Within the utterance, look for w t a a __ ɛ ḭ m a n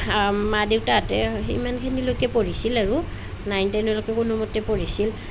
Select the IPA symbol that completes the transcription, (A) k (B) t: B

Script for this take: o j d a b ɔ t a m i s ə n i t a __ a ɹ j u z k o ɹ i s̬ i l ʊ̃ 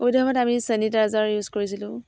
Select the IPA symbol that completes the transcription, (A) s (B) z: B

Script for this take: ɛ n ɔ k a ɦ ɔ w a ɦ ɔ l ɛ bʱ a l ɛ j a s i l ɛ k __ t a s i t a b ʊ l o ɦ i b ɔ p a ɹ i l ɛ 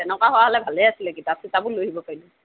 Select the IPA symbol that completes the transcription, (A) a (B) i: B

